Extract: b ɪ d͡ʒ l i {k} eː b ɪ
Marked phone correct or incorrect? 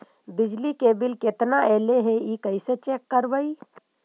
correct